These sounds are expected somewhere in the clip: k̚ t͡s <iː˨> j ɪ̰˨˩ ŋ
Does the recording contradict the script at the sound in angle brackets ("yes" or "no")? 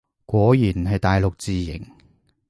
no